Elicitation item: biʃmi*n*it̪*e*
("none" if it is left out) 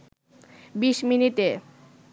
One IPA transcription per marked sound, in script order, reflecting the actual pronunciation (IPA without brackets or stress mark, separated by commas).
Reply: n, e